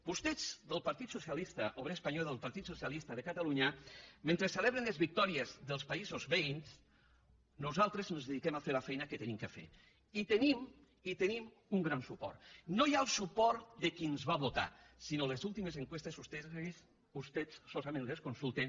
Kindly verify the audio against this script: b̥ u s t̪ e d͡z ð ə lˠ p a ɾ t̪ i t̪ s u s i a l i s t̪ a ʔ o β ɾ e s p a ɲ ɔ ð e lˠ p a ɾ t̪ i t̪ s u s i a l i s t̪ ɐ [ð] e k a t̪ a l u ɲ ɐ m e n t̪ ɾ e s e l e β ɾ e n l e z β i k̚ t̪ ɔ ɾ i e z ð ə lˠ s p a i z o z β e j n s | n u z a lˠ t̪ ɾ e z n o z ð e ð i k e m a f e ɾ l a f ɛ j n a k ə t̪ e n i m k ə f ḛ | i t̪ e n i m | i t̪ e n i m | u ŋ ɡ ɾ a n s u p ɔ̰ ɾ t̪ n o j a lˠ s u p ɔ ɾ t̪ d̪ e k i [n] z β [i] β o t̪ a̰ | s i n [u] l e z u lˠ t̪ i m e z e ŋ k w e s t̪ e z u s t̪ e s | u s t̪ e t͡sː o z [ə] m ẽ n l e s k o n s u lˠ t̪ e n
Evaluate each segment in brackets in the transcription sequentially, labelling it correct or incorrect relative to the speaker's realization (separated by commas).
correct, correct, incorrect, incorrect, incorrect